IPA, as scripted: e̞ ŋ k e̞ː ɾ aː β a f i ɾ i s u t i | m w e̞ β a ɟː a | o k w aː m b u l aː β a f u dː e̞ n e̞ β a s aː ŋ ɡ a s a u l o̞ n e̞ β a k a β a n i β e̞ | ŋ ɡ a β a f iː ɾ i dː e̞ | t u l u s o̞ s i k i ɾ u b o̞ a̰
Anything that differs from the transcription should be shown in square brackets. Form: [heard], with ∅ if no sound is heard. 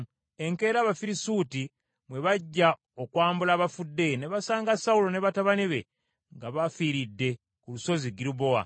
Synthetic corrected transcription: e̞ ŋ k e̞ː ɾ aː β a f i ɾ i s u t i | m w e̞ β a ɟː a | o k w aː m b u l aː β a f u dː e̞ n e̞ β a s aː ŋ ɡ a s a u l o̞ n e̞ β a [t] a β a n i β e̞ | ŋ ɡ a β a f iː ɾ i dː e̞ | [k] u l u s o̞ [z] i [ɡ] i ɾ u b o̞ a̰